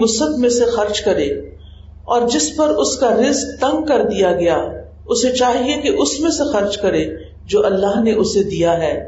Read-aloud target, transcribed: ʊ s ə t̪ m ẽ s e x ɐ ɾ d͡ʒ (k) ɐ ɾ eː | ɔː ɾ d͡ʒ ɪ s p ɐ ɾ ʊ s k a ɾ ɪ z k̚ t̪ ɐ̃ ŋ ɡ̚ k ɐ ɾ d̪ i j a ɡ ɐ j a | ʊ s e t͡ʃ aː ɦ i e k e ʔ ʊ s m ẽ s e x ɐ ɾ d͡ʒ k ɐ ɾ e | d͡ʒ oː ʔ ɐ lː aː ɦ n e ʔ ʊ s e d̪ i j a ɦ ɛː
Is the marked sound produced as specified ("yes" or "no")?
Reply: yes